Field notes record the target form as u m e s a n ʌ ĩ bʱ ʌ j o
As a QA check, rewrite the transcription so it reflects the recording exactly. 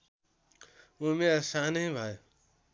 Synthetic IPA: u m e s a n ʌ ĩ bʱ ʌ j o